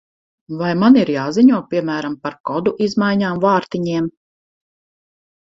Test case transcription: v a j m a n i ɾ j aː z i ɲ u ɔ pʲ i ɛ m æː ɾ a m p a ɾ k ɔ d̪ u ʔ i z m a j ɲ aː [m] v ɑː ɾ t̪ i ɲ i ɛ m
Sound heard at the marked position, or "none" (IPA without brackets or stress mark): m